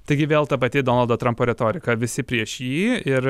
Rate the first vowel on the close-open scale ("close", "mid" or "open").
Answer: open